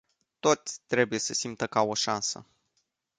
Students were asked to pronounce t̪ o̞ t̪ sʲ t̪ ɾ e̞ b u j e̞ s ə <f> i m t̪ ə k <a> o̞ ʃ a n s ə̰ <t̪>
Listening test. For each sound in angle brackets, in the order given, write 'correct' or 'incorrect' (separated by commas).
incorrect, correct, incorrect